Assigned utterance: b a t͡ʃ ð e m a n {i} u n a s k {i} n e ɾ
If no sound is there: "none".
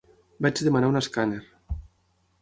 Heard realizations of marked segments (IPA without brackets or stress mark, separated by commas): a, a